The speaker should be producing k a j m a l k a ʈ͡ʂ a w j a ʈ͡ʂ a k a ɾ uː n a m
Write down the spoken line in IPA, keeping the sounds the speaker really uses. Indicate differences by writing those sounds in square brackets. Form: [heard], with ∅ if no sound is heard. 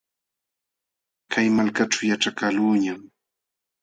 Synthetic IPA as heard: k a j m a l k a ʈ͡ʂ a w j a ʈ͡ʂ a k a [l] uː [ɲ] a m

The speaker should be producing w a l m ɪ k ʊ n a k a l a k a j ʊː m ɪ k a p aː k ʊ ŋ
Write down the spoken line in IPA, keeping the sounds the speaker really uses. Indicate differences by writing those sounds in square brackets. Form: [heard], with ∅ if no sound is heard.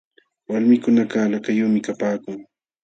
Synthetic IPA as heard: w a l m ɪ k ʊ n a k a l a k a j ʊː m ɪ k a p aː k ʊ ŋ

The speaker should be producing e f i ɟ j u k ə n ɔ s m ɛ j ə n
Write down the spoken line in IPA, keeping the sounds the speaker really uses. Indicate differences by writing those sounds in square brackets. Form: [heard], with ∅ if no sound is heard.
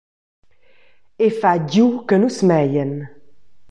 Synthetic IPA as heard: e f [a] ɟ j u k ə n [u] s m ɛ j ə n

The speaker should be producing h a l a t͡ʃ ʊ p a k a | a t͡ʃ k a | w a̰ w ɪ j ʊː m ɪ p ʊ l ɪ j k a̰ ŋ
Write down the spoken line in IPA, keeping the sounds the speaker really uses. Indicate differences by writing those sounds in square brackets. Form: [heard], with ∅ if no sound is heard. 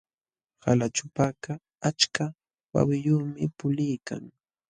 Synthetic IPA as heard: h a l a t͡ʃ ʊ p a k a | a t͡ʃ k a | w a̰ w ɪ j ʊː m ɪ p ʊ l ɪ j k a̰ ŋ

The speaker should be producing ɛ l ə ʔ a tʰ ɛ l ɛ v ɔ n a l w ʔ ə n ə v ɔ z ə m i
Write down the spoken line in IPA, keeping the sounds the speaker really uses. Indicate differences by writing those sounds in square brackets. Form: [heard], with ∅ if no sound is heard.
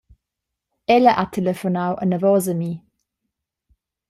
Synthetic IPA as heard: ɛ l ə ʔ a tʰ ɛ l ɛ [f] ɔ n a [∅] w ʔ ə n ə v ɔ z ə m i

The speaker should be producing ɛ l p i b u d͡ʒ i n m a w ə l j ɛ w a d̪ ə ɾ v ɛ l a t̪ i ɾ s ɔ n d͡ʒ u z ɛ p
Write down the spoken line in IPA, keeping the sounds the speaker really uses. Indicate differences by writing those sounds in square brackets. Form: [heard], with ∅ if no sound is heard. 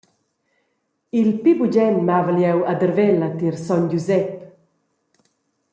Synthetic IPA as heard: [i] l p i b u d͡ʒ [ɛ] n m a [v] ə l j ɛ w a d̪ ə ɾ v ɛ l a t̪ i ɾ s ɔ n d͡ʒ u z ɛ p

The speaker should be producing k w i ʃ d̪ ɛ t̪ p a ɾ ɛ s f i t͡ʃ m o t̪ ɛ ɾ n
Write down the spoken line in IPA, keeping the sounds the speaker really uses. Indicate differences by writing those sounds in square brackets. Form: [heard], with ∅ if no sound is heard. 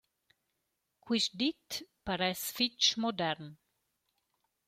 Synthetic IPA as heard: k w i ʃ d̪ [i] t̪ p a ɾ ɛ s f i t͡ʃ m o [d̪] ɛ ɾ n

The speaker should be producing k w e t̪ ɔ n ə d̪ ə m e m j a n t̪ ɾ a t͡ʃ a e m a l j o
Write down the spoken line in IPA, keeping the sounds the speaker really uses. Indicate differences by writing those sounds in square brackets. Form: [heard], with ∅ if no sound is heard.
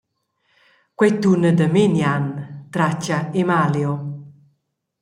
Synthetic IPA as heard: k w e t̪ [u] n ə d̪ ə m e [n] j a n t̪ ɾ a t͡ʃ a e m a l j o

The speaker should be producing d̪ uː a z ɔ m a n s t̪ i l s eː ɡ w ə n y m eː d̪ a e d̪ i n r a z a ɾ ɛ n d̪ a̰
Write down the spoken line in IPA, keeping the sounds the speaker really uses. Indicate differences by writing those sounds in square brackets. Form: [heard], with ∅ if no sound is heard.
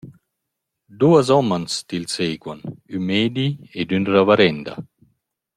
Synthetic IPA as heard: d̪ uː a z ɔ m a n s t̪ i l s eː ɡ w [a] n y m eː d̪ [i] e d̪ [y] n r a [v] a ɾ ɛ n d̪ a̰

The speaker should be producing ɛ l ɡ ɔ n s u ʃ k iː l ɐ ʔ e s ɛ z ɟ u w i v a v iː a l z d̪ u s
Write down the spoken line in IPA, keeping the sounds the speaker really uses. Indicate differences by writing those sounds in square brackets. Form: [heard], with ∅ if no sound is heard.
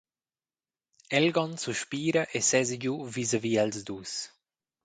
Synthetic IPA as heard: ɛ l ɡ ɔ n s u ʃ [p] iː [ɾ] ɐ ʔ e s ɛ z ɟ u [v] i [z] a v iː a l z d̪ u s

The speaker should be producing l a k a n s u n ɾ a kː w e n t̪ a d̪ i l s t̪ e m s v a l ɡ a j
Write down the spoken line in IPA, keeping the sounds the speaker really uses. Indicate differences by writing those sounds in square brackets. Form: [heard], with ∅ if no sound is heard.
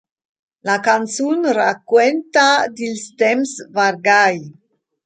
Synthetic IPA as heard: l a k a n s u n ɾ a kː w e n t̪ a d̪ i l s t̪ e m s v a [ɾ] ɡ a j

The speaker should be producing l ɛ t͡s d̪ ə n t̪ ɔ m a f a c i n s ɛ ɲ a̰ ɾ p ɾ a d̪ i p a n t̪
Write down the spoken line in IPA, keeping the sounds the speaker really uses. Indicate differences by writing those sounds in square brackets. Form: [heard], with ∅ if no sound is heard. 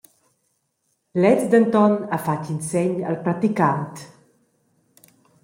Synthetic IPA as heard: l ɛ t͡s d̪ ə n t̪ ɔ [n] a f a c i n s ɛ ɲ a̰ [l] p ɾ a [t̪] i [k] a n t̪

